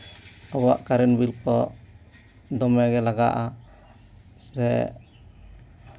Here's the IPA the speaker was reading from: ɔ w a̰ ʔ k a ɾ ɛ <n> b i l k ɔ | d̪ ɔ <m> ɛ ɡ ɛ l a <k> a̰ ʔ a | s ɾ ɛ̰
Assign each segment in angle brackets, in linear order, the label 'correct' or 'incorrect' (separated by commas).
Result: correct, correct, incorrect